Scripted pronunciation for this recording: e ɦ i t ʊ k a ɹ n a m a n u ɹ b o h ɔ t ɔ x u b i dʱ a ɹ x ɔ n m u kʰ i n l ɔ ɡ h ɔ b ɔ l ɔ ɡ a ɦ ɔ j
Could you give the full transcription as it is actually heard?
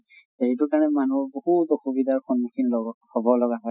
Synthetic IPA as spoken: e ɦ i t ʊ k a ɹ n ɛ m a n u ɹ b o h u t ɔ x u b i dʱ a ɹ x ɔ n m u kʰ i n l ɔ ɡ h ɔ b ɔ l ɔ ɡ a ɦ ɔ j